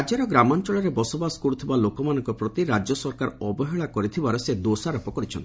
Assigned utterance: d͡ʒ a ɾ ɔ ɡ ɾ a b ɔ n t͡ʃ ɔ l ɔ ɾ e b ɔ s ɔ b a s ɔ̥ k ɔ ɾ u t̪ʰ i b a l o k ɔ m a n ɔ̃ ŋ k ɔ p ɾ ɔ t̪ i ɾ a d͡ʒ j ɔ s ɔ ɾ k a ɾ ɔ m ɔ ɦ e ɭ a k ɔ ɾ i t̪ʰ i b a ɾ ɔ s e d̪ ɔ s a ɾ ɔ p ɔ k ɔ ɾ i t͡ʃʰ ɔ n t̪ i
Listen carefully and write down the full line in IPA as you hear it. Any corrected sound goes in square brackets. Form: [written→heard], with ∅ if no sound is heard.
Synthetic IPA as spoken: d͡ʒ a ɾ ɔ ɡ ɾ a [b→m] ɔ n t͡ʃ ɔ [l→ɭ] ɔ ɾ e b ɔ s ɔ b a s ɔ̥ k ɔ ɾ u t̪ʰ i b a l o k ɔ m a n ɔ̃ ŋ k ɔ p ɾ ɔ t̪ i ɾ a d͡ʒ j ɔ s ɔ ɾ k a ɾ ɔ [m→b] ɔ ɦ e ɭ a k ɔ ɾ i t̪ʰ i b a ɾ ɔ s e d̪ [ɔ→o] s a ɾ ɔ p ɔ k ɔ ɾ i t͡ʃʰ ɔ n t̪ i